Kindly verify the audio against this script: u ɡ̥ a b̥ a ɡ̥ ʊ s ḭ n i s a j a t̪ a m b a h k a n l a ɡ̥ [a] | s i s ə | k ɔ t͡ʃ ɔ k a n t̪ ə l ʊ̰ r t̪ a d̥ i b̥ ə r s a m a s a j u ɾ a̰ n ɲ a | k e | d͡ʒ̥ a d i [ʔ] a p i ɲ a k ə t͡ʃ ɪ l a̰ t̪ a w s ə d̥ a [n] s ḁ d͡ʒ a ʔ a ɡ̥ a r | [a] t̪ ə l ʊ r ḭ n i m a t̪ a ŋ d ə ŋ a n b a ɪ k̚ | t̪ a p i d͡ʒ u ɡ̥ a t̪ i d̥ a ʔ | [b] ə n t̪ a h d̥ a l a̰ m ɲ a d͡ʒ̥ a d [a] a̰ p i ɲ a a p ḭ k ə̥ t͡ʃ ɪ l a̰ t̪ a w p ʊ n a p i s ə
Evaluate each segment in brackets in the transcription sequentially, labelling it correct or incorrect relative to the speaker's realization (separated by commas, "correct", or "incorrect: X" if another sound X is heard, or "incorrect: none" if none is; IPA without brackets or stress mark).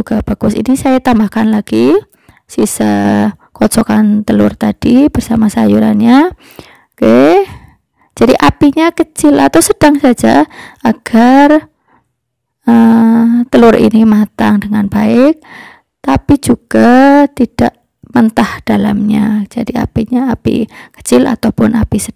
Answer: incorrect: i, correct, incorrect: ŋ, incorrect: ə, incorrect: m, incorrect: i